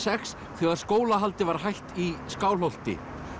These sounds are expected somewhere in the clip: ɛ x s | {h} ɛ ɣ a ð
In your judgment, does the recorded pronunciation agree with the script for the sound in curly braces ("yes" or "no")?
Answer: no